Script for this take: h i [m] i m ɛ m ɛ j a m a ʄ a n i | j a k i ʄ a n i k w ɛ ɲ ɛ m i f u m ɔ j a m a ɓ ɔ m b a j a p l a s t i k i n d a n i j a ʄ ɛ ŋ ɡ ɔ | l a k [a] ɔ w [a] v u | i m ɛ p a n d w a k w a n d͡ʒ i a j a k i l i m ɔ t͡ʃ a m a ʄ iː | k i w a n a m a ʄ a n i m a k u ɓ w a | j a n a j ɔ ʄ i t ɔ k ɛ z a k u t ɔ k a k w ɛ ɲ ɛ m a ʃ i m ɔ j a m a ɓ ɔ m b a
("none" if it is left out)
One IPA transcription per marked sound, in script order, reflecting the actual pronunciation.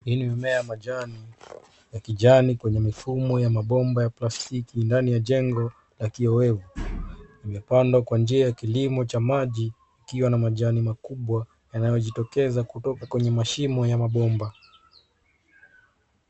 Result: n, i, ɛ

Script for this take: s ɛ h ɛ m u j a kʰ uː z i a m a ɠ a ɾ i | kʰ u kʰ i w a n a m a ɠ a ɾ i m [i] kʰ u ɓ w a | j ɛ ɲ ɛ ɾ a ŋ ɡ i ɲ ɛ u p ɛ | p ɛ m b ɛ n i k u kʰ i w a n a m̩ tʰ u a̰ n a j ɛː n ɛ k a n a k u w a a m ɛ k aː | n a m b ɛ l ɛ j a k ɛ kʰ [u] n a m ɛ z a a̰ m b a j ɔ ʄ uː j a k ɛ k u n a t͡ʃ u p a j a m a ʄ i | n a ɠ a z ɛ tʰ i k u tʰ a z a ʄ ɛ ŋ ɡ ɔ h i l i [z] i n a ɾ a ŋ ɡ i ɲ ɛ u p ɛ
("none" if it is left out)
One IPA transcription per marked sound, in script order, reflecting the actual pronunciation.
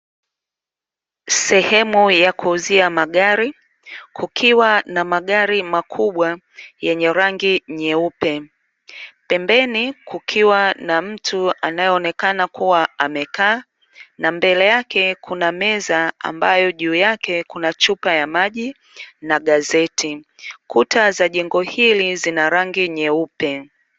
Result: a, u, z

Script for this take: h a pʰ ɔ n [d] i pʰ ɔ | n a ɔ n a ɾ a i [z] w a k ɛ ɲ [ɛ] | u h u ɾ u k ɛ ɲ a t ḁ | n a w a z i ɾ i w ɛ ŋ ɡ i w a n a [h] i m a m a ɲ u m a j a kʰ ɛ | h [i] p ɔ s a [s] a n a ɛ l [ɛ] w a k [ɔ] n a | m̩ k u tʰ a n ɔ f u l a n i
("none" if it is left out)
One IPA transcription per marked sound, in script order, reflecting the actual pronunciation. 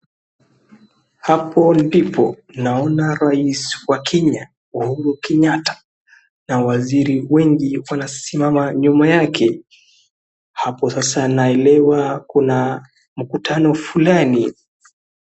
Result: d, s, a, s, a, s, ɛ, u

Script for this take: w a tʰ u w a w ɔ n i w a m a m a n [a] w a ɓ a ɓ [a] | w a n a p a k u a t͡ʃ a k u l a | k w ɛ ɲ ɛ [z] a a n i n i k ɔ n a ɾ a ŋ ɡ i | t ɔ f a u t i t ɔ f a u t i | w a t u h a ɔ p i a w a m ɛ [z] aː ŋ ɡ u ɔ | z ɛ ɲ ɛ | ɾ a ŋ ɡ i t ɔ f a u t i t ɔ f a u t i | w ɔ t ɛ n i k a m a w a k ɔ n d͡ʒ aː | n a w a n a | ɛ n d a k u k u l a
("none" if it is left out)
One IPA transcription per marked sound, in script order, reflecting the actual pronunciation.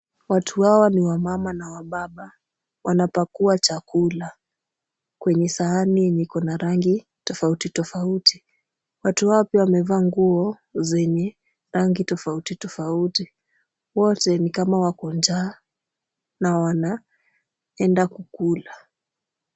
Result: a, a, s, v

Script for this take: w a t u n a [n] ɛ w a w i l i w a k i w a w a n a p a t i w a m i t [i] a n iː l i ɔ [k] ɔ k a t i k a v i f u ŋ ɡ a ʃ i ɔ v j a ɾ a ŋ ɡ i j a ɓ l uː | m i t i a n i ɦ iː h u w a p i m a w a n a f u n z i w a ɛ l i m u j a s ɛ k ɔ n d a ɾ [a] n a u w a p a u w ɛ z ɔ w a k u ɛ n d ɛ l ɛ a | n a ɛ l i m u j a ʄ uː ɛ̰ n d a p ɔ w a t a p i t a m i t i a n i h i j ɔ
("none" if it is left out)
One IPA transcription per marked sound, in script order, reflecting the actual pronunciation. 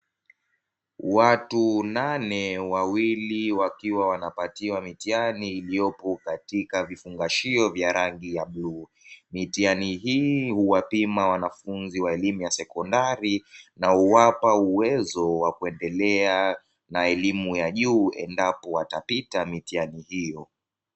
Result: n, i, p, i

